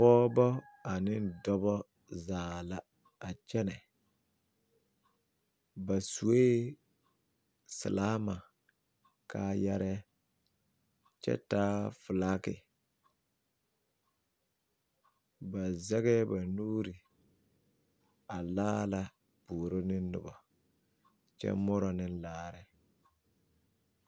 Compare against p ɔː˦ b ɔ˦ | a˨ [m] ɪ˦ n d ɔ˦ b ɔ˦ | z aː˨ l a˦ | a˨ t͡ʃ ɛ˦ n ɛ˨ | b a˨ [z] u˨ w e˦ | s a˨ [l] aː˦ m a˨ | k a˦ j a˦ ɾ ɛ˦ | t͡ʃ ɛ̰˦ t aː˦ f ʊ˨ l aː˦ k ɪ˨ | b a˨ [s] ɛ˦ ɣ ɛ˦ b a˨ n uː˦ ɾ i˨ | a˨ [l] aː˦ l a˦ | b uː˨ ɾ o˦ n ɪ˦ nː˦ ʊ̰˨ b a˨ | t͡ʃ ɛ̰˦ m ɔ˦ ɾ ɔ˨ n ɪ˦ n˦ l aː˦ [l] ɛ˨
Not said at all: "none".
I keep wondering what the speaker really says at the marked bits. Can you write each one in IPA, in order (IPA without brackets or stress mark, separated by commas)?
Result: n, s, l, z, l, ɾ